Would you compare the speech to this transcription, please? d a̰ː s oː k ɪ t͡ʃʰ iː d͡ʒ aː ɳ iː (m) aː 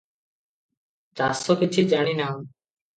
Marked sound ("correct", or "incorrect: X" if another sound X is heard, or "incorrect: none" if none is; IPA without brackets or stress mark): incorrect: n